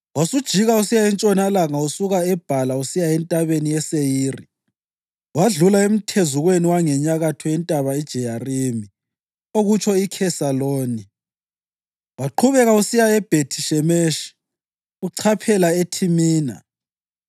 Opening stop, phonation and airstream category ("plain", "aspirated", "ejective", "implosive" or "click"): plain